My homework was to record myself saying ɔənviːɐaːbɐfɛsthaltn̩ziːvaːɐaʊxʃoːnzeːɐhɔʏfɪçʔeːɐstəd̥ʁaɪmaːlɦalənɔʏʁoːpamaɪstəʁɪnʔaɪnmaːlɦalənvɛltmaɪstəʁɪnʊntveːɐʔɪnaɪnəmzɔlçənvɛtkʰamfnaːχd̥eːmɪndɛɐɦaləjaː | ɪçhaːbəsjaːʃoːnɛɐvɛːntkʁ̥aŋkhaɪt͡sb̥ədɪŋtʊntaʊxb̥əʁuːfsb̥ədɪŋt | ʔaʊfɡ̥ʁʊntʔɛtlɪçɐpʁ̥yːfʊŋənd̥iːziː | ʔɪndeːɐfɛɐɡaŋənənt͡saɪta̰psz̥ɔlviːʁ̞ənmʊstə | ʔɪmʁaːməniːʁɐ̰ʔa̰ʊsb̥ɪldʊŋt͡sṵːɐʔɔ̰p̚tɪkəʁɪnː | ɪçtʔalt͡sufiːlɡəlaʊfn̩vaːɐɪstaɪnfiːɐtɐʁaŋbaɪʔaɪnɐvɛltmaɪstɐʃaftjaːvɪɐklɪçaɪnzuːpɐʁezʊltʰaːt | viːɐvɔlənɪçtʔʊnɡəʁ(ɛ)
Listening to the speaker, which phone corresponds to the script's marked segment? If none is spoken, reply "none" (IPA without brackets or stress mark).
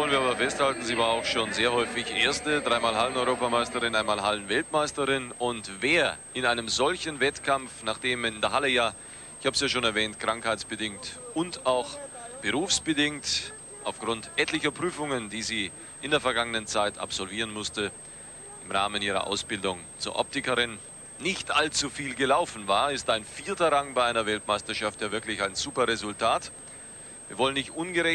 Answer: ɛ